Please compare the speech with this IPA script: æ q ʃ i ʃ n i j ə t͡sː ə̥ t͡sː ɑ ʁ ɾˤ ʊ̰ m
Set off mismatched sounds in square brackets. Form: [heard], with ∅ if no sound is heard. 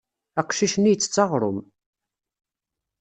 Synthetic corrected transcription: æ q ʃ i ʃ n i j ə t͡sː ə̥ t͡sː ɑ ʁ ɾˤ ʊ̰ m

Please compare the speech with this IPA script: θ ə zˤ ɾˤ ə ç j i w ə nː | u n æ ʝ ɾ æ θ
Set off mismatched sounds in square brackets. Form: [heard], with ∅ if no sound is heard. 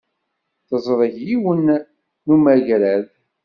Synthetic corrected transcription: θ ə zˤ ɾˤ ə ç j i w ə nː | u [m] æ ʝ ɾ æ [ð]

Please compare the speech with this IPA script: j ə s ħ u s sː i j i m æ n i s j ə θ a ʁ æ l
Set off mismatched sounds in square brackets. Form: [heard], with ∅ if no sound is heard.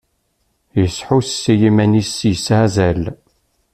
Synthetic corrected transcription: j ə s ħ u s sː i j i m æ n i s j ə [s] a [z] æ l

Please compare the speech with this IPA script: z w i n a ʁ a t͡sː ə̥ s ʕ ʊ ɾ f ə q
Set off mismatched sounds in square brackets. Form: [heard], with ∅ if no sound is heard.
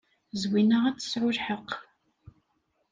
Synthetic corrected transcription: z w i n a ʁ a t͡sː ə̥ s ʕ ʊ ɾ [ħ] ə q

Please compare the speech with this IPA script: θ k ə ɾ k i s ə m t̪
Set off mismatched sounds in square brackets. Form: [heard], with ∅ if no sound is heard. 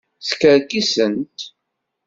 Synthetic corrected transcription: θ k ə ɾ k i s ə [n] t̪

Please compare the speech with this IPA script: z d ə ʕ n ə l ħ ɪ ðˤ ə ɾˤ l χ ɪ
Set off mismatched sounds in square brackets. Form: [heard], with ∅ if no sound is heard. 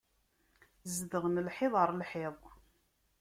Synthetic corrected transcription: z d ə [ʁ] n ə l ħ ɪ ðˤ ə ɾˤ l [ħ] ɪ

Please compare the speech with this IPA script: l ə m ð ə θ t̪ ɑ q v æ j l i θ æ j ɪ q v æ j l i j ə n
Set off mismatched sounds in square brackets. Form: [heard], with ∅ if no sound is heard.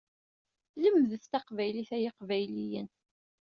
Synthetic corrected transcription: l ə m ð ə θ t̪ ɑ q v æ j l i θ æ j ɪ q v æ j l i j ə n

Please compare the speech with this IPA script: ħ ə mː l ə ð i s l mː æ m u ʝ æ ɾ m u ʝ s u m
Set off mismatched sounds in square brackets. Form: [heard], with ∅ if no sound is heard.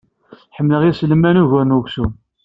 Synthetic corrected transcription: ħ ə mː l ə [ʁ] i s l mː æ [n] u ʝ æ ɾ [n] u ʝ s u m

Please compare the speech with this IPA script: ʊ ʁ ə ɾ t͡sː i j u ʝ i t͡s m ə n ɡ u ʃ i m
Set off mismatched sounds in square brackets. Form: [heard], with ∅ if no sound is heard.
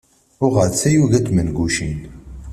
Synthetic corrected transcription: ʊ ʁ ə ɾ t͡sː [æ] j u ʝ [æ] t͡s m ə n ɡ u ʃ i [n]

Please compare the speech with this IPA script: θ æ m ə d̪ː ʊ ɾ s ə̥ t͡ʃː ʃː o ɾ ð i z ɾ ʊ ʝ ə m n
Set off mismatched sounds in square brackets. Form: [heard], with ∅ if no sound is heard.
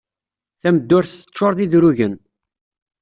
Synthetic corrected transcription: θ æ m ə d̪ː ʊ ɾ [θ] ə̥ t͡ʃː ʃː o ɾ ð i [ð] ɾ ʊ ʝ ə [∅] n

